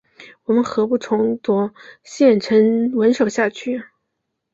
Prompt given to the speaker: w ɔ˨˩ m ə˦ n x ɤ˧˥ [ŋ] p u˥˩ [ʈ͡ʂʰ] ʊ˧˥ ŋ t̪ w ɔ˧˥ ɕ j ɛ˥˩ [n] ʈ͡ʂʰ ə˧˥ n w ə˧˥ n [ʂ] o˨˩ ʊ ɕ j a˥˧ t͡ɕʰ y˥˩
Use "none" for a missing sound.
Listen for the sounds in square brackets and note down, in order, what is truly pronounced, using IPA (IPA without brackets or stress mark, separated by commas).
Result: none, ʈ͡ʂʰ, n, ʂ